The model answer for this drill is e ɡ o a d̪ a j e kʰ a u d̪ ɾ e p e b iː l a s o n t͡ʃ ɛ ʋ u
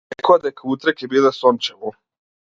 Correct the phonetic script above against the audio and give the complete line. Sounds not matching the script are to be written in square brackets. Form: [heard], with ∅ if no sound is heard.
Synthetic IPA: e [k] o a d̪ a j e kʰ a u [t̪] ɾ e [k] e b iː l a s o n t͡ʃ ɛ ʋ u